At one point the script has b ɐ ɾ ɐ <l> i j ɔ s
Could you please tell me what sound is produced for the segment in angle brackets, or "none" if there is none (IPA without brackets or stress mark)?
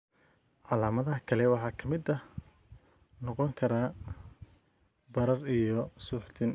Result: r